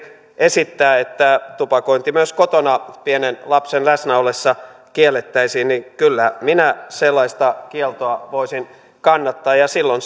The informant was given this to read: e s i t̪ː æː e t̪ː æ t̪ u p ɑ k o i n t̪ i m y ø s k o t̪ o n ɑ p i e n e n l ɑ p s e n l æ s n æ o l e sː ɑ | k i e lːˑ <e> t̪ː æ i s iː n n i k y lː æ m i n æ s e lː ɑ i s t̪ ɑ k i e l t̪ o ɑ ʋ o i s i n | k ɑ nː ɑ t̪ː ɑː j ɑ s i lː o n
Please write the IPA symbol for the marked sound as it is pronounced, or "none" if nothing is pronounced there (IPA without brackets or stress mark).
e